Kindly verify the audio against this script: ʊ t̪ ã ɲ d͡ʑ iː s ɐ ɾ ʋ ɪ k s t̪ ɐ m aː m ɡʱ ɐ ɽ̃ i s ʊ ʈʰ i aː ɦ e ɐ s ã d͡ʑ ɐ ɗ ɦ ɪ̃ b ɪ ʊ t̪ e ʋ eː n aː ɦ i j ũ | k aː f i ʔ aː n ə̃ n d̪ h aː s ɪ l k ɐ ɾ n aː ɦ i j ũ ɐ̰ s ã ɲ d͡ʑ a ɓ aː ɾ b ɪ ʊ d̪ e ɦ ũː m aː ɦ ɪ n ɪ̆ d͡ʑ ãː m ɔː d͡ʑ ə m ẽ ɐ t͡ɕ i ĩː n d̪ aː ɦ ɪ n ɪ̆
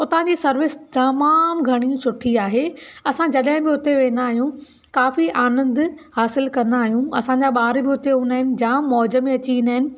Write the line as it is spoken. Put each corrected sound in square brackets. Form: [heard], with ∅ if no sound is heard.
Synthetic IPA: ʊ t̪ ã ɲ d͡ʑ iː s ɐ ɾ ʋ ɪ [∅] s t̪ ɐ m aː m ɡʱ ɐ ɽ̃ i s ʊ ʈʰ i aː ɦ e ɐ s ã d͡ʑ ɐ ɗ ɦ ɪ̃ b ɪ ʊ t̪ e ʋ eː n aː ɦ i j ũ | k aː f i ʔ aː n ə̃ n d̪ h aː s ɪ l k ɐ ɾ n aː ɦ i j ũ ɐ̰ s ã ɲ d͡ʑ a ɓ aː ɾ b ɪ ʊ [t̪] e ɦ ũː [n] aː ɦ ɪ n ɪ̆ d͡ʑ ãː m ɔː d͡ʑ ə m ẽ ɐ t͡ɕ i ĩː n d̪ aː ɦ ɪ n ɪ̆

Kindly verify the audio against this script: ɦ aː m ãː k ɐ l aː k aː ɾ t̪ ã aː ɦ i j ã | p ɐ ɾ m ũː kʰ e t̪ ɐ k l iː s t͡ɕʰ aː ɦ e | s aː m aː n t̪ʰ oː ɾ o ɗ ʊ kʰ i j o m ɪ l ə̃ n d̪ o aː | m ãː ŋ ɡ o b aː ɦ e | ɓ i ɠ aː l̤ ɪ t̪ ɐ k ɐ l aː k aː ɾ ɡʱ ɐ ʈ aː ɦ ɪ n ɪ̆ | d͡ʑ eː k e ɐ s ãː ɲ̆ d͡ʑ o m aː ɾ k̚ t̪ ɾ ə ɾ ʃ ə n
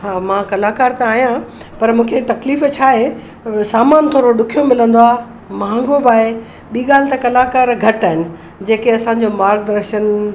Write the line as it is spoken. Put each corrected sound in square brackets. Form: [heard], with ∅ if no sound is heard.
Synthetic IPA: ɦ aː m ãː k ɐ l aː k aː ɾ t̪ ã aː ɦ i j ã | p ɐ ɾ m ũː kʰ e t̪ ɐ k l iː [f] t͡ɕʰ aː ɦ e | s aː m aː n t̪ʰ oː ɾ o ɗ ʊ kʰ i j o m ɪ l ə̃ n d̪ o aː | m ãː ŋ ɡ o b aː ɦ e | ɓ [iː] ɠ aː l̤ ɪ t̪ ɐ k ɐ l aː k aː ɾ ɡʱ ɐ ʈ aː ɦ ɪ n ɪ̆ | d͡ʑ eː k e ɐ s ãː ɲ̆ d͡ʑ o m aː ɾ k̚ [d̪] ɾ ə ɾ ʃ ə n

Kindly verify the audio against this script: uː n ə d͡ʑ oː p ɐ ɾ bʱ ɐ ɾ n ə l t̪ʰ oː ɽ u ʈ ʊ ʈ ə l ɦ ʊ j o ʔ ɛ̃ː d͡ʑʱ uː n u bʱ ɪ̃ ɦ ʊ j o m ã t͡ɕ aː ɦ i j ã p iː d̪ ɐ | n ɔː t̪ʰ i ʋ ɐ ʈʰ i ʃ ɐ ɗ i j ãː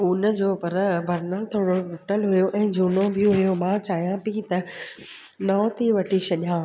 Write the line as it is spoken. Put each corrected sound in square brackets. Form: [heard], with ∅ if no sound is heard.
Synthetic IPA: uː n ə d͡ʑ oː p ɐ ɾ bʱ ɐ ɾ n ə l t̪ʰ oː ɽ [o] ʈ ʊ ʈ ə l ɦ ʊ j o ʔ ɛ̃ː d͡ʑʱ uː n [o] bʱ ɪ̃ ɦ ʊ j o m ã t͡ɕ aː ɦ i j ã p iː [t̪] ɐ | n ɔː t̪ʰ i ʋ ɐ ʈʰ i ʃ ɐ ɗ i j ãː

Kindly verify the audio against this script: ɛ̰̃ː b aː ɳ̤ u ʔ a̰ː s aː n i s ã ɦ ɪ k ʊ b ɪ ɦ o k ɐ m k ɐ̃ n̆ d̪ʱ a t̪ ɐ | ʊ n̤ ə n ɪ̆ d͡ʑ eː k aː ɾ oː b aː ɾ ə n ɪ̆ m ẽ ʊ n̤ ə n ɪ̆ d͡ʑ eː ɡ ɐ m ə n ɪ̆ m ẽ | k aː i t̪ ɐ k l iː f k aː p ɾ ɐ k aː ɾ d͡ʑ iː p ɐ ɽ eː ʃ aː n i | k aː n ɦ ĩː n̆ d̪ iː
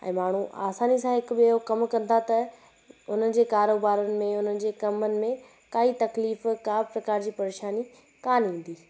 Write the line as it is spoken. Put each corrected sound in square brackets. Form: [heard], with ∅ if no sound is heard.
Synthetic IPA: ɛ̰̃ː [m] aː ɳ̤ u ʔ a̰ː s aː n i s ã ɦ ɪ k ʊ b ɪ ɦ o k ɐ m k ɐ̃ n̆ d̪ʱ a t̪ ɐ | ʊ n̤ ə n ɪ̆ d͡ʑ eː k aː ɾ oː b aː ɾ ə n ɪ̆ m ẽ ʊ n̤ ə n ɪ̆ d͡ʑ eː [k] ɐ m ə n ɪ̆ m ẽ | k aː i t̪ ɐ k l iː f k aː p ɾ ɐ k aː ɾ d͡ʑ iː p ɐ [ɾ] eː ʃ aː n i | k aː n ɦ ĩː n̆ d̪ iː

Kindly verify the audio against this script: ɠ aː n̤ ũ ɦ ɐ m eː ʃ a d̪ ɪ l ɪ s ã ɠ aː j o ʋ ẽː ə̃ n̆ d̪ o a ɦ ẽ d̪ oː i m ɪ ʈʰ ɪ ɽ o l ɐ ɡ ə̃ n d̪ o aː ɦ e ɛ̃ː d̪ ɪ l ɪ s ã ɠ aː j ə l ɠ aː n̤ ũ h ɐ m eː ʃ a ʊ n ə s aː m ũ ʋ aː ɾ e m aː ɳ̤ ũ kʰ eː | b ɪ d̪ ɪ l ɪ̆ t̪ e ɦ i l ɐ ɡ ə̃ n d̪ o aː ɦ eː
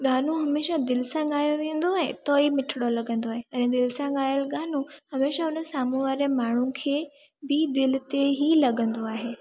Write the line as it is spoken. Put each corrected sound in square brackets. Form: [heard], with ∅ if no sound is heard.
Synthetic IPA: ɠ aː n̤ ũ ɦ ɐ m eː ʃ a d̪ ɪ l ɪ s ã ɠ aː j o ʋ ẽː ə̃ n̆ d̪ o a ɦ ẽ [t̪] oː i m ɪ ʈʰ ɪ ɽ o l ɐ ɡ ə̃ n d̪ o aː ɦ e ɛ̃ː d̪ ɪ l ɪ s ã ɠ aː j ə l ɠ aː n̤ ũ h ɐ m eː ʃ a ʊ n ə s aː m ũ ʋ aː ɾ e m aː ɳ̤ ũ kʰ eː | b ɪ d̪ ɪ l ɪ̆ t̪ e ɦ i l ɐ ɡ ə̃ n d̪ o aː ɦ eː

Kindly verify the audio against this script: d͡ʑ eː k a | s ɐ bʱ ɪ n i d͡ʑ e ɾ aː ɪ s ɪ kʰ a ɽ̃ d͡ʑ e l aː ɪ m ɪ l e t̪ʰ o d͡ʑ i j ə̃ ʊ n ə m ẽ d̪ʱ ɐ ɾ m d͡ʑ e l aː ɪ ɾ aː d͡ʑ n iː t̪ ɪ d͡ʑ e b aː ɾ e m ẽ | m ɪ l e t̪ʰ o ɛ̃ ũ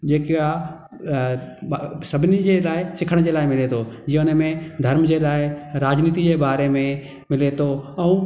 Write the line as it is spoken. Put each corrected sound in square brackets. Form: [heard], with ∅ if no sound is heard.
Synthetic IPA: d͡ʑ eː k a | s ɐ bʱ ɪ n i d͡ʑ e [l] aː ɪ s ɪ kʰ [ə] ɽ̃ d͡ʑ e l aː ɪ m ɪ l e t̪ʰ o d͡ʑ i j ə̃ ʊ n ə m ẽ d̪ʱ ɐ ɾ m d͡ʑ e l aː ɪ ɾ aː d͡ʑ n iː t̪ [i] d͡ʑ e b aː ɾ e m ẽ | m ɪ l e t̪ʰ o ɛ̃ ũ

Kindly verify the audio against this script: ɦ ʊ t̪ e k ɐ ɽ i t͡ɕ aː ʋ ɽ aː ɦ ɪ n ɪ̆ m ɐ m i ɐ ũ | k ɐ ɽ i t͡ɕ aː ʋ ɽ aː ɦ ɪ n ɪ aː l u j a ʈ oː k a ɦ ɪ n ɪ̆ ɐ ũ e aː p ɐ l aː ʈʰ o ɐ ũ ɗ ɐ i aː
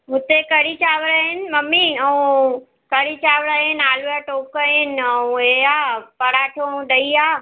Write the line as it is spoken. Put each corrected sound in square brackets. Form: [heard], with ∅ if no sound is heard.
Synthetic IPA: ɦ ʊ t̪ e k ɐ ɽ i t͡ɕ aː ʋ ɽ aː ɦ ɪ n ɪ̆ m ɐ m i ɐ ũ | k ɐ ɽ i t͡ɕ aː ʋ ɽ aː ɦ ɪ n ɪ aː l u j a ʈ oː k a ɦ ɪ n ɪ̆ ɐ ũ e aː p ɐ [ɽ] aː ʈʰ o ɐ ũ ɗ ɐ i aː

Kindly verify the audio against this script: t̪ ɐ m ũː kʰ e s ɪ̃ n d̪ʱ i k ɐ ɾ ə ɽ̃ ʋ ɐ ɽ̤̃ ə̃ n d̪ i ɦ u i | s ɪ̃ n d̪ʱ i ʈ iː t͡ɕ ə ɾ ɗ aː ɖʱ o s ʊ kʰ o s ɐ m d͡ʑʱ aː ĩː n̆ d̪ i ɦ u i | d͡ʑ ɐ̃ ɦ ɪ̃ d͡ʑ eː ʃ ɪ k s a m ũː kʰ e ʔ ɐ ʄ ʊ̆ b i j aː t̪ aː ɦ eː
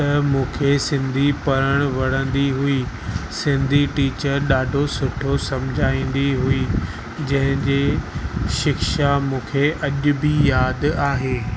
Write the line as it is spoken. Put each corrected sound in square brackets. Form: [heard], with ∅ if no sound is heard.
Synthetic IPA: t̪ ɐ m ũː kʰ e s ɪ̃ n d̪ʱ i [p] ɐ ɾ ə ɽ̃ ʋ ɐ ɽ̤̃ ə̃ n d̪ i ɦ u i | s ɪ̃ n d̪ʱ i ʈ iː t͡ɕ ə ɾ ɗ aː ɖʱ o s ʊ [ʈʰ] o s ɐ m d͡ʑʱ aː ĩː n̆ d̪ i ɦ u i | d͡ʑ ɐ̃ ɦ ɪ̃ d͡ʑ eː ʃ ɪ k [ʃ] a m ũː kʰ e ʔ ɐ ʄ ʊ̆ b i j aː [d̪] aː ɦ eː

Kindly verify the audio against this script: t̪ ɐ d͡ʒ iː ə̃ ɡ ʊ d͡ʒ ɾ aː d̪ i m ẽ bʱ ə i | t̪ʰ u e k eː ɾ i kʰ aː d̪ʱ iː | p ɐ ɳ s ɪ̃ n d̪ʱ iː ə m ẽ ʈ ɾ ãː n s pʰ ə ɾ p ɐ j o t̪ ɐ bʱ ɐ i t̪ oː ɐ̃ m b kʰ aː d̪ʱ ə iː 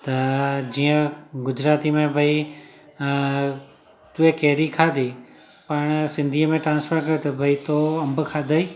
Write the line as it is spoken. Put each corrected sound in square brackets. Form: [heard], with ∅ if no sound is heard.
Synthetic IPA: t̪ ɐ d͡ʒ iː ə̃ ɡ ʊ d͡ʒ ɾ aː [t̪] i m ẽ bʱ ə i | [t̪] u e k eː ɾ i kʰ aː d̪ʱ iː | p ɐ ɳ s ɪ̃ n d̪ʱ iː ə m ẽ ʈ ɾ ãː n s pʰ ə ɾ [k] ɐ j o t̪ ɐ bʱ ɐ i t̪ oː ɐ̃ m b kʰ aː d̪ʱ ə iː

